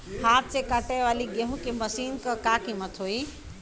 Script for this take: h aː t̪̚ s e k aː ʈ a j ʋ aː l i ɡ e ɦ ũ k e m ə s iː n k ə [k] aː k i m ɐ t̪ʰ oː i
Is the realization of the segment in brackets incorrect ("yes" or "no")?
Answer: no